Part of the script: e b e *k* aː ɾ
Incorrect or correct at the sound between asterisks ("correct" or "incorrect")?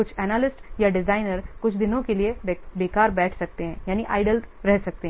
correct